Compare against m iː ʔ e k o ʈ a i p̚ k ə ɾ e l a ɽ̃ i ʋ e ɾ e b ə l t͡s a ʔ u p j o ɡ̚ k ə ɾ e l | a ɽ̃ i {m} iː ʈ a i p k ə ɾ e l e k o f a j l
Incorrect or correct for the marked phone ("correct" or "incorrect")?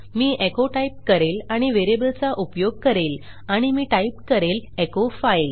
correct